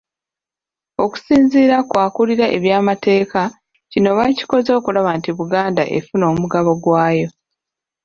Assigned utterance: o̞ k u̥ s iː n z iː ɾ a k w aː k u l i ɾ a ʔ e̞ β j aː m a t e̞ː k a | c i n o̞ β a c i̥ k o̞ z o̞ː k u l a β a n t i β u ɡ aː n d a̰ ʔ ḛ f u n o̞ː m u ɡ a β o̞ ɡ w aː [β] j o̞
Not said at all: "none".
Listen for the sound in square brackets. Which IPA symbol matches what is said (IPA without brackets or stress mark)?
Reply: none